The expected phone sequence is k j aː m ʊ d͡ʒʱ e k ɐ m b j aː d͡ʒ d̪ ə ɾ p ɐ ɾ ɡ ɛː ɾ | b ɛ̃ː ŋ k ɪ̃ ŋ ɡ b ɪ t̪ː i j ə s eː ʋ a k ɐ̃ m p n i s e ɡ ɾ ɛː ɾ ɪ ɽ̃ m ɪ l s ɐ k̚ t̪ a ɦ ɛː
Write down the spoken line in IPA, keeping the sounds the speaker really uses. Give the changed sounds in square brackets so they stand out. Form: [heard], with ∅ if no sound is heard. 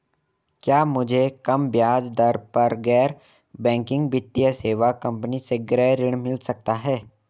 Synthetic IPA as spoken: k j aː m ʊ d͡ʒʱ e k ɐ m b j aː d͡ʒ d̪ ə ɾ p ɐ ɾ ɡ ɛː ɾ | b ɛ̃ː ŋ k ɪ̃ ŋ ɡ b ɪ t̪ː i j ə s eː ʋ a k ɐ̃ m p n i s e ɡ ɾ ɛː ɾ ɪ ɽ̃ m ɪ l s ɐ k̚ t̪ a ɦ ɛː